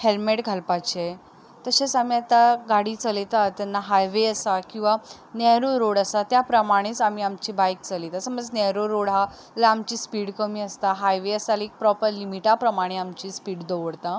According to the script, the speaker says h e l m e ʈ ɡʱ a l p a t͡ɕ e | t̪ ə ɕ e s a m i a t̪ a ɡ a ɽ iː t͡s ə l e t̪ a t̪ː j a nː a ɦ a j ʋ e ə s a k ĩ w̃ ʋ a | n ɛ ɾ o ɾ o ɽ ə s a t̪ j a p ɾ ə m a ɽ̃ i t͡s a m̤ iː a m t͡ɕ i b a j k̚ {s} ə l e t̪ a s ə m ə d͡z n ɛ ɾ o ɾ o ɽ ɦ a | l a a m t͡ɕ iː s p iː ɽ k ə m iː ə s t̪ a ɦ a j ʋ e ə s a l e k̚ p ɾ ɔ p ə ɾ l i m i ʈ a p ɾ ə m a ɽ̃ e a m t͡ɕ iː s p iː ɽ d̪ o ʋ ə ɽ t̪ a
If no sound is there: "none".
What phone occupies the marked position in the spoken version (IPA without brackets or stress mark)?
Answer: t͡s